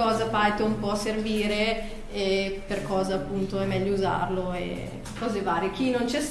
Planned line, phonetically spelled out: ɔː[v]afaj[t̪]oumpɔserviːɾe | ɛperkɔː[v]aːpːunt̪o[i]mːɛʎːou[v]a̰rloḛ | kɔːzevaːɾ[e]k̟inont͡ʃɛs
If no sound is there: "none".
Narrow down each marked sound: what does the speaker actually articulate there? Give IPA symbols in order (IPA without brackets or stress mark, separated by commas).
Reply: z, t̪, z, ɛ, z, e